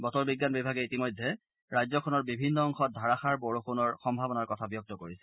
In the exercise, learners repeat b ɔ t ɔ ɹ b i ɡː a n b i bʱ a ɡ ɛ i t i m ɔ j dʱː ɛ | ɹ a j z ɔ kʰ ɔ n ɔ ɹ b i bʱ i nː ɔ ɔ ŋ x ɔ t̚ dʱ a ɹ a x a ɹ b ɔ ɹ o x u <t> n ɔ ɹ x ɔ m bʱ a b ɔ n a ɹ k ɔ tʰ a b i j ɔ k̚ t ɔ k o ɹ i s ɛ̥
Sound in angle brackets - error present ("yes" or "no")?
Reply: yes